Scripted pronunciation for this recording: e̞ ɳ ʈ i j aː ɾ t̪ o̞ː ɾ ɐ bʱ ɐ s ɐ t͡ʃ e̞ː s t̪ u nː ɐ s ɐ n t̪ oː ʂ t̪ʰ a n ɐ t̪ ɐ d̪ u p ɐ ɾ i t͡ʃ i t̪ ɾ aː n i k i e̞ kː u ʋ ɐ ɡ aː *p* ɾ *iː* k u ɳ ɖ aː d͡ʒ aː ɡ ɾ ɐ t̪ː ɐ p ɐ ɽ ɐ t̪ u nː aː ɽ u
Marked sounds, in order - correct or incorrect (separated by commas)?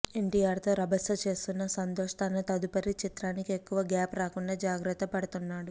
correct, incorrect